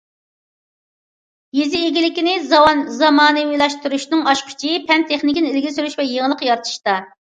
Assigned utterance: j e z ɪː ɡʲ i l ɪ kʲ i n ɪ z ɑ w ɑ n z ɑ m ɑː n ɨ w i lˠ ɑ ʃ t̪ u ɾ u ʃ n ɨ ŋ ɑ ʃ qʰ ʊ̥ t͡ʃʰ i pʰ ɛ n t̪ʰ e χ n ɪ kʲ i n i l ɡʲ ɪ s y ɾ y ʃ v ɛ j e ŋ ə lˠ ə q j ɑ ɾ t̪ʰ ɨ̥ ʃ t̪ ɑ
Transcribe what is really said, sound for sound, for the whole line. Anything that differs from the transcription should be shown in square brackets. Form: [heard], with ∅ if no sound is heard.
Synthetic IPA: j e z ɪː ɡʲ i l ɪ kʲ i n ɪ z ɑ w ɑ n z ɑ m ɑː n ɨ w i lˠ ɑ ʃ t̪ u ɾ u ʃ n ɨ ŋ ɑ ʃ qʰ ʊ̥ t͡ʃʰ i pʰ ɛ n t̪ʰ e χ n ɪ kʲ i n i l ɡʲ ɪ s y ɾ y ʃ v ɛ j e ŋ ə lˠ ə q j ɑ ɾ t̪ʰ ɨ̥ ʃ t̪ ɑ